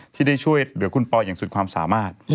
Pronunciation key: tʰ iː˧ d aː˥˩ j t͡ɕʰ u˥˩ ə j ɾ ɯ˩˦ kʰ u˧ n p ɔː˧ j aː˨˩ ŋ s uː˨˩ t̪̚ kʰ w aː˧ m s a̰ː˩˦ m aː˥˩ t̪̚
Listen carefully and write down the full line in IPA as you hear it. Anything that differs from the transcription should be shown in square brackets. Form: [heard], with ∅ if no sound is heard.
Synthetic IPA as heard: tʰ [iː˥˩] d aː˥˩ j t͡ɕʰ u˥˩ ə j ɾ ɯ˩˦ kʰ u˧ n p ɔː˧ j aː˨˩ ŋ s [u˨˩] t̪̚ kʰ w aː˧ m s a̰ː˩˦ m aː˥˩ t̪̚